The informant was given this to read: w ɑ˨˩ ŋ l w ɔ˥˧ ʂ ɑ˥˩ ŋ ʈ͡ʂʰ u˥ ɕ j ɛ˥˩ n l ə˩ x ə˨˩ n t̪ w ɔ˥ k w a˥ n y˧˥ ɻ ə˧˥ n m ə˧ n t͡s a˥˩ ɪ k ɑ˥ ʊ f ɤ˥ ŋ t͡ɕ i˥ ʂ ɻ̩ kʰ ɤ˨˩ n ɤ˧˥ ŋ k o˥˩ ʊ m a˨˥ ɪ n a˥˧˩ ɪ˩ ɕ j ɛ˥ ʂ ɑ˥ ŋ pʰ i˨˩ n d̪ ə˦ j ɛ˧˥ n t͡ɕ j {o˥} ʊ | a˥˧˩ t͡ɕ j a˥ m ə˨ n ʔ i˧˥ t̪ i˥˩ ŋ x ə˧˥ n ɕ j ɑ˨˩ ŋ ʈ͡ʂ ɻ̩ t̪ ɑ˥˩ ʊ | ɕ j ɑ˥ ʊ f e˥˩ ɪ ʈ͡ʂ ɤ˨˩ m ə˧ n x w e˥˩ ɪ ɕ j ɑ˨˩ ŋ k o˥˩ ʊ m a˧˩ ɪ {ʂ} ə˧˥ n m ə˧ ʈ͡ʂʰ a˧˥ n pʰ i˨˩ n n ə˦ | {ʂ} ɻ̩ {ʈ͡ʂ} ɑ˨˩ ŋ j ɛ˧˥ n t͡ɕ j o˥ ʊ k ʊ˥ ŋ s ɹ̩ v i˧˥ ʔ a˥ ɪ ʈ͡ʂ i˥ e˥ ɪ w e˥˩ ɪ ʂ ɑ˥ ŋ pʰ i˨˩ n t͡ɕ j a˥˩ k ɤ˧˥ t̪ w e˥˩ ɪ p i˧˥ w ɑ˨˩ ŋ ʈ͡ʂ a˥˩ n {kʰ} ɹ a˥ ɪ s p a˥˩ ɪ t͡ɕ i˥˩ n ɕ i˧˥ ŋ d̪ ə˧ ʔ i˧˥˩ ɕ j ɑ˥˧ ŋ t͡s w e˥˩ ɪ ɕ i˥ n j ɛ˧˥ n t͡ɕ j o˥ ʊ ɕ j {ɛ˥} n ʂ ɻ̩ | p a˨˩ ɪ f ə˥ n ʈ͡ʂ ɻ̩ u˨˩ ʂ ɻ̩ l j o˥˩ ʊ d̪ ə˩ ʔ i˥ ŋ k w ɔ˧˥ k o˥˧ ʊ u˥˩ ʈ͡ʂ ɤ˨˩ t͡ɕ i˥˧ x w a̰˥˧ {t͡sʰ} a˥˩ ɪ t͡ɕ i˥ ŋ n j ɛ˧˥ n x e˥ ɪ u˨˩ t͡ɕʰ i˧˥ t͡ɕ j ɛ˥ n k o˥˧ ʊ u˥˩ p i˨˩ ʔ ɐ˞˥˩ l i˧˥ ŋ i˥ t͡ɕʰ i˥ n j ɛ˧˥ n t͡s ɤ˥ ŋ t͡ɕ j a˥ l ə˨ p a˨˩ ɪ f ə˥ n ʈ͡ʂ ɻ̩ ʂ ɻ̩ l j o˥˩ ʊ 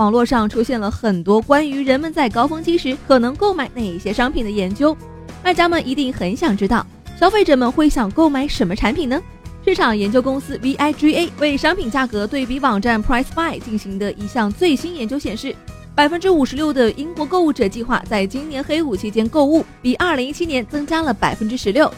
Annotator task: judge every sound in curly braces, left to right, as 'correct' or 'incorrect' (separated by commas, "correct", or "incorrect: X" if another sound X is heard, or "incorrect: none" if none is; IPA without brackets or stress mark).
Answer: correct, correct, correct, incorrect: ʈ͡ʂʰ, incorrect: pʰ, incorrect: ɛ˨˩, incorrect: t͡s